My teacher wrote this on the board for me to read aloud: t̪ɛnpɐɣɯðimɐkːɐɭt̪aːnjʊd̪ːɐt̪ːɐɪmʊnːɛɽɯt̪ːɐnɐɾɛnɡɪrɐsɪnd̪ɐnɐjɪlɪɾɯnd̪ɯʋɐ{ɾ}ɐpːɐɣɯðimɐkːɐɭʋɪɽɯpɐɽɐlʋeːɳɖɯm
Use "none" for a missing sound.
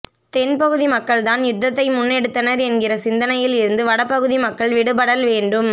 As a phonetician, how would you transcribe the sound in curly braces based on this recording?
ɽ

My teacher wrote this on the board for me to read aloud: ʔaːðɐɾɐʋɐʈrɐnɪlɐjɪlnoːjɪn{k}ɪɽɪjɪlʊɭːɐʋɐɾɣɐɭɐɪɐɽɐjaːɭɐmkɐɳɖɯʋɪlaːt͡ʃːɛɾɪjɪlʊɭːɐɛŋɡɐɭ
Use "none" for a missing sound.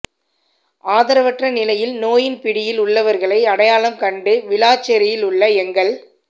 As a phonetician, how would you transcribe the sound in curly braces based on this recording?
p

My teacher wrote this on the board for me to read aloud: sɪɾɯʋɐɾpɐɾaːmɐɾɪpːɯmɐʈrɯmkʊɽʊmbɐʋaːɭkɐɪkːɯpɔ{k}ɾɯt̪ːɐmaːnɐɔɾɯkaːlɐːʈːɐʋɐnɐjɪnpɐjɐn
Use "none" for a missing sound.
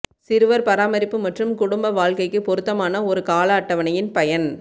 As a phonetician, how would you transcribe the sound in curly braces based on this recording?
none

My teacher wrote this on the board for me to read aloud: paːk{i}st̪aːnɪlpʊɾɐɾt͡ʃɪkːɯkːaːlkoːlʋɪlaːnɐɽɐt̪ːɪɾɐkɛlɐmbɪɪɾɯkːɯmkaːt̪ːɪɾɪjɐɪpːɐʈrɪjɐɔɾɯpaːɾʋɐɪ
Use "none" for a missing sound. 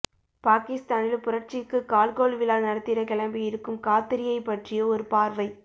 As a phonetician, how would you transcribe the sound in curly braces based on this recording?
ɪ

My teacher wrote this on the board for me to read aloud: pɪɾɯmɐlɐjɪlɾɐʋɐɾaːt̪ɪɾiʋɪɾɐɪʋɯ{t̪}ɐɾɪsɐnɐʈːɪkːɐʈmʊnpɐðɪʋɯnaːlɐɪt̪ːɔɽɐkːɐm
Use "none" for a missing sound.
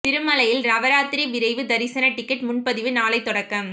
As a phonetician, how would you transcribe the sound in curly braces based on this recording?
d̪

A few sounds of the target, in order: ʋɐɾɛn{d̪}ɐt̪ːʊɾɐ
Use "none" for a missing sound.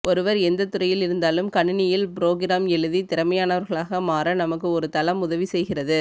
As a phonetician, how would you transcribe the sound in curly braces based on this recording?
d̪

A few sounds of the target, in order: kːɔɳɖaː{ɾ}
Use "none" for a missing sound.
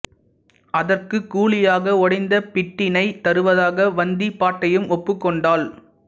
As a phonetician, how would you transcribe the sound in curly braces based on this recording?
l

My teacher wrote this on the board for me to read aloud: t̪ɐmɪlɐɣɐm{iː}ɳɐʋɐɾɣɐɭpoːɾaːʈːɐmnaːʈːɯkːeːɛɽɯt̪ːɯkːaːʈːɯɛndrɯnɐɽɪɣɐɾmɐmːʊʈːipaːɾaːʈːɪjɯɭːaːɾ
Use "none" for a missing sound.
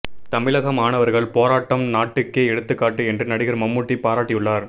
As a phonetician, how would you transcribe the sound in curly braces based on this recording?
aː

